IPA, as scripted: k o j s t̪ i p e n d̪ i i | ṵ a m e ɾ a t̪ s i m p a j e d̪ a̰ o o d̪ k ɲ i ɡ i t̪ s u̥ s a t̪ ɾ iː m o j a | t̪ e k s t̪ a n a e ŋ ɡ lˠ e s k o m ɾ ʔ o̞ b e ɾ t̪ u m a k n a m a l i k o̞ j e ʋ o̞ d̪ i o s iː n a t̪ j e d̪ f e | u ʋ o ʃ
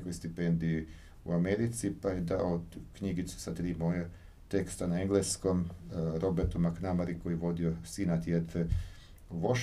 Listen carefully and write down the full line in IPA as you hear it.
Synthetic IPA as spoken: k o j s t̪ i p e n d̪ i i | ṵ a m e ɾ i t̪ s i p a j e d̪ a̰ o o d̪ k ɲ i ɡ i t̪ s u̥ s a t̪ ɾ iː m o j a | t̪ e k s t̪ a n a e ŋ ɡ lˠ e s k o m ɾ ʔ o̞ b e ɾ t̪ u m a k n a m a ɾ i k o̞ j i ʋ o̞ d̪ i o s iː n a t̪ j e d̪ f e | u ʋ o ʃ